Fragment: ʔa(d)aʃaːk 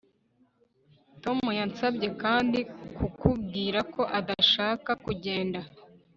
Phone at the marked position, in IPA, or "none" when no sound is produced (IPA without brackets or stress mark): d